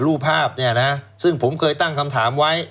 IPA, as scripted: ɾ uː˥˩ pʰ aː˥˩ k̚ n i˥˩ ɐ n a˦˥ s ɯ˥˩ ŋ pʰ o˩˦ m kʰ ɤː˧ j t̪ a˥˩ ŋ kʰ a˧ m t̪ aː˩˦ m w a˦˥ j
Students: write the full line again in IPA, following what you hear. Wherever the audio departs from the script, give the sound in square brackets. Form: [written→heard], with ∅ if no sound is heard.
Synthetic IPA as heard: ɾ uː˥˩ pʰ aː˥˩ [k̚→p̚] n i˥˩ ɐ n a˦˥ s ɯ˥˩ ŋ pʰ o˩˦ m kʰ ɤː˧ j t̪ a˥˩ ŋ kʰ a˧ m [t̪→t̪ʰ] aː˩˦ m w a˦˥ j